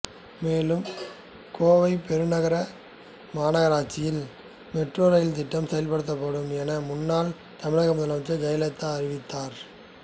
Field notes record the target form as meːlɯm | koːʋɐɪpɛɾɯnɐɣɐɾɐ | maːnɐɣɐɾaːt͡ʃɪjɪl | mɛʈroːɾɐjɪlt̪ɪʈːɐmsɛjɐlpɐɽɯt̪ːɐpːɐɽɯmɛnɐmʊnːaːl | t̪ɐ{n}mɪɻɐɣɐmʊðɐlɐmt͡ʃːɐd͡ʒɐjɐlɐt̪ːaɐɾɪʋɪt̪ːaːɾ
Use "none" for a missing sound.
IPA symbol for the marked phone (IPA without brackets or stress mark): none